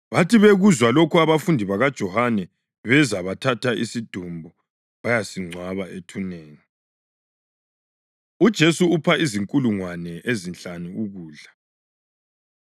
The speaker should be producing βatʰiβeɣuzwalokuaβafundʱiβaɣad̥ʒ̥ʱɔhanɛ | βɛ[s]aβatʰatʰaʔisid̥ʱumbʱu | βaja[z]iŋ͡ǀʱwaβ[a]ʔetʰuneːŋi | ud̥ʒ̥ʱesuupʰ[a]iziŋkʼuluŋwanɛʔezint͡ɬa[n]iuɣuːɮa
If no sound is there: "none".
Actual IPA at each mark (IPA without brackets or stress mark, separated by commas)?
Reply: z, s, a, a, n